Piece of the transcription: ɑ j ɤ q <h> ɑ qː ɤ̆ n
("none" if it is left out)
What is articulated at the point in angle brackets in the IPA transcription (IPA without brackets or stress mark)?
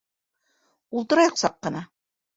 s